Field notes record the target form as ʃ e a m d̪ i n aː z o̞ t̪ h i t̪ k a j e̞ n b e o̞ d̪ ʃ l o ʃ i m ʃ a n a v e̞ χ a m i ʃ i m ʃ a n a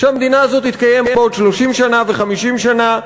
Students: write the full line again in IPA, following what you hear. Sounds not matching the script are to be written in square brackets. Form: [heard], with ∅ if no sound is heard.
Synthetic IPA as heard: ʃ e a m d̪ i n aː z o̞ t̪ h i t̪ k a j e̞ [m] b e o̞ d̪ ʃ l o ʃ i m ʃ a n a v e̞ χ a m i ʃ i m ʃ a n a

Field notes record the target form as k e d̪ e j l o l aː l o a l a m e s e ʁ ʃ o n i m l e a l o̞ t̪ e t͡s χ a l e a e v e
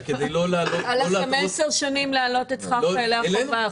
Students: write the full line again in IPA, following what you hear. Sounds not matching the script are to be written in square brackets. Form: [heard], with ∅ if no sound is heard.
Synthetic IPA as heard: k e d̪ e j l o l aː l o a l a m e s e ʁ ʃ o n i m l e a l o̞ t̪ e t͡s χ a l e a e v [a]

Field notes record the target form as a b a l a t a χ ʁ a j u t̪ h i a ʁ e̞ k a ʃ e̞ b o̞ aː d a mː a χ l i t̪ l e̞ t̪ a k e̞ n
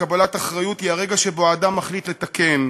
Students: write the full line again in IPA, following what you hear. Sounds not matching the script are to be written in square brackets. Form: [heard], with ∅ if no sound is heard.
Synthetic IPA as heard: a b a l a t a χ ʁ a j u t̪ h i a ʁ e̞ [ɡ] a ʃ e̞ b o̞ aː d a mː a χ l i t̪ l e̞ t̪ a k e̞ n

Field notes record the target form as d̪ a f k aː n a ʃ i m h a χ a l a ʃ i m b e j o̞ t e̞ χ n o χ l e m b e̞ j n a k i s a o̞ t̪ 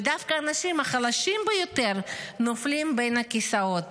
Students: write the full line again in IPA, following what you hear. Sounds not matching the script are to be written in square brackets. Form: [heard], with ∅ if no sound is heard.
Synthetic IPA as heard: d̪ a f k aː n a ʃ i m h a χ a l a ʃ i m b e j o̞ t e̞ [ʁ] n o [f] l [i] m b e̞ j n a k i s a o̞ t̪

